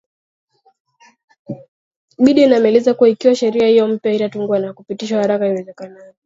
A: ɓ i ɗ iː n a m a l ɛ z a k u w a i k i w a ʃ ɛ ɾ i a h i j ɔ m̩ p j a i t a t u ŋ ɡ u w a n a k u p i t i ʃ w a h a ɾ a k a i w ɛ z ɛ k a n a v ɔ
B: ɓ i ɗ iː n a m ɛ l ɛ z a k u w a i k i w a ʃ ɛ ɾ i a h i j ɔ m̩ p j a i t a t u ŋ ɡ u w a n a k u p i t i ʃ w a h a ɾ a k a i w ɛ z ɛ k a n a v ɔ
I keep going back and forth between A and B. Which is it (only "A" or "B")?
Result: B